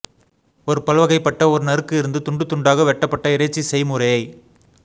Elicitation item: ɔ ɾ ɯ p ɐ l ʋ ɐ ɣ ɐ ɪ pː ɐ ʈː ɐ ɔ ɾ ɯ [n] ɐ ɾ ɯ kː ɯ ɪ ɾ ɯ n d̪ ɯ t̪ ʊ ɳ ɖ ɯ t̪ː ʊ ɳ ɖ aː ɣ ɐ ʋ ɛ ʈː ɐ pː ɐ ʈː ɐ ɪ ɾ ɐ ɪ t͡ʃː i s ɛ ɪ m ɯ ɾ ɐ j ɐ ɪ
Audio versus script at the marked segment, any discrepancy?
no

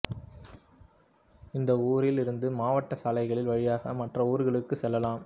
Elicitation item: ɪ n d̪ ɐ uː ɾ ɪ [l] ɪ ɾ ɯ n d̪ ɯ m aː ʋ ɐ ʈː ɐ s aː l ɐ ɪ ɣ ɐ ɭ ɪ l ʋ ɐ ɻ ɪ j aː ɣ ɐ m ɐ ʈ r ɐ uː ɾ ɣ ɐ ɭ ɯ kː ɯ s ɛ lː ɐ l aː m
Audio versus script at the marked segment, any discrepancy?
no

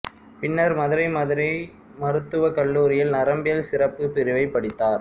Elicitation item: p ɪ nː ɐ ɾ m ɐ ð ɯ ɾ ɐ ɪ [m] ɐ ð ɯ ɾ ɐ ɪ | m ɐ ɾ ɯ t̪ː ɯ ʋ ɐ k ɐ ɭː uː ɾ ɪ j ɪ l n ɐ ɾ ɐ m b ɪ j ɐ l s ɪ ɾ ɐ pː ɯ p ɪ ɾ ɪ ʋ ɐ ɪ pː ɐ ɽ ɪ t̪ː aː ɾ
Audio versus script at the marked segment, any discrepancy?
no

